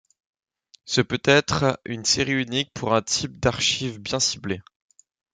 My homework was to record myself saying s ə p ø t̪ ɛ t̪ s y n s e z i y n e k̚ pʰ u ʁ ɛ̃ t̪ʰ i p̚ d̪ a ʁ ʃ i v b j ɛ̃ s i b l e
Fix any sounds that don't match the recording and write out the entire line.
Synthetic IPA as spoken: s ə p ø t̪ ɛ t̪ χ y n s e ʁ i y n i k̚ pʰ u ʁ ɛ̃ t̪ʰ i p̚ d̪ a ʁ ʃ i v b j ɛ̃ s i b l e